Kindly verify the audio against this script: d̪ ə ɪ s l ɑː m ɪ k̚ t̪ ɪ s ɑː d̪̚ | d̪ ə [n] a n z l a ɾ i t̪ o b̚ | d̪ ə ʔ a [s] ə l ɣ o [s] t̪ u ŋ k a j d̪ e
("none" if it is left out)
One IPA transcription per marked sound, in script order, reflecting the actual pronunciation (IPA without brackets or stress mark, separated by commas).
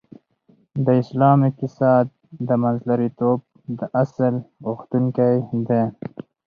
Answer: m, s, x